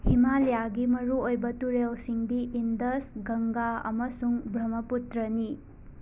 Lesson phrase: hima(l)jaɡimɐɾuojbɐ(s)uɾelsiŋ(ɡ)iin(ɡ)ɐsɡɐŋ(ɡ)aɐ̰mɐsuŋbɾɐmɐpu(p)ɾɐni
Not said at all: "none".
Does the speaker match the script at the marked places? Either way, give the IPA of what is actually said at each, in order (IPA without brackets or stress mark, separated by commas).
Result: l, t, d, d, ɡ, t